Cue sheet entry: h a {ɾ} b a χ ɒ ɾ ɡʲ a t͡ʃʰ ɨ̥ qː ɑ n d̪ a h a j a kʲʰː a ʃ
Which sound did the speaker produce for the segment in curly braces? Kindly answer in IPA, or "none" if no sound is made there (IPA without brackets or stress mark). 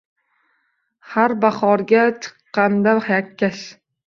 ɾ